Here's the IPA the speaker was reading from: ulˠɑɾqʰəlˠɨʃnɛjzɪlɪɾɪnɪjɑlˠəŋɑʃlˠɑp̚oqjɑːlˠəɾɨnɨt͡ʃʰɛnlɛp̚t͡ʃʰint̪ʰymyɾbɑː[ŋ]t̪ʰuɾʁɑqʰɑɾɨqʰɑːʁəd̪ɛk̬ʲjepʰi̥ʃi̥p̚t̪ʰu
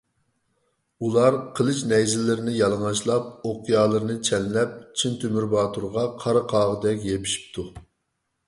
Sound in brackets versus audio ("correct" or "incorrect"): incorrect